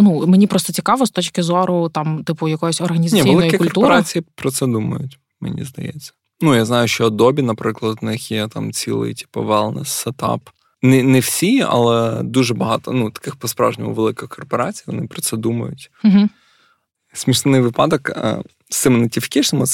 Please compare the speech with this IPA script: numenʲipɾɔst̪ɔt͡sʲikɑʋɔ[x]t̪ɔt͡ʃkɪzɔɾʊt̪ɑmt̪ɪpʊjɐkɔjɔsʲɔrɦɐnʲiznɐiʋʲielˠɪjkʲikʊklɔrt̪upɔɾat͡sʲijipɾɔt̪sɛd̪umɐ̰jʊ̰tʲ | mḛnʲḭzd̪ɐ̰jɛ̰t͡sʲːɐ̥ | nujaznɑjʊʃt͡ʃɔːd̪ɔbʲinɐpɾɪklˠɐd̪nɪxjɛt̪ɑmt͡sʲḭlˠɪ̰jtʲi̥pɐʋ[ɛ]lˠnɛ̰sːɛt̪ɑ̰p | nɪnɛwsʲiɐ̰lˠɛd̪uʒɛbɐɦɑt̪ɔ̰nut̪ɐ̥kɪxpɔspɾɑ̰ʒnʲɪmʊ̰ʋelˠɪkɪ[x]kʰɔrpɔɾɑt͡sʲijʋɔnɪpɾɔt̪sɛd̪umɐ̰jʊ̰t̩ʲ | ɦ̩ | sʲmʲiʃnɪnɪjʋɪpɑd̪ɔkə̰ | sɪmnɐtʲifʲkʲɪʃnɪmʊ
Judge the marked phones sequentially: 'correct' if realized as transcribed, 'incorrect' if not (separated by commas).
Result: incorrect, correct, correct